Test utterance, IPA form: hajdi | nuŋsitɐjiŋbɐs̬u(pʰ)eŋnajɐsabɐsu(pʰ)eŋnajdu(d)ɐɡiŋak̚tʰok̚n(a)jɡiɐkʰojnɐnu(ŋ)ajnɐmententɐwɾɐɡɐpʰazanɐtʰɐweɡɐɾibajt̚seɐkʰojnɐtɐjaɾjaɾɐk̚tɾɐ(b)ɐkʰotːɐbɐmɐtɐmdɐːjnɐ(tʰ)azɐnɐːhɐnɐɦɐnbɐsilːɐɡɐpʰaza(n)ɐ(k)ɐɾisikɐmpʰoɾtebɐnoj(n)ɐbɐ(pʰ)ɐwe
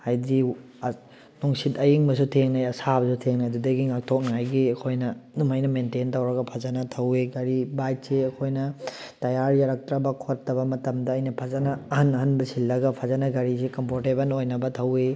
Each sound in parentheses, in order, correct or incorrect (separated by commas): incorrect, incorrect, correct, correct, incorrect, correct, incorrect, correct, incorrect, correct, incorrect